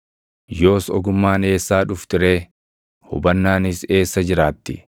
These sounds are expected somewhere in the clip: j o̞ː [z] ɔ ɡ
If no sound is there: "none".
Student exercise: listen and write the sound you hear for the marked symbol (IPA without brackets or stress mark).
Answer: s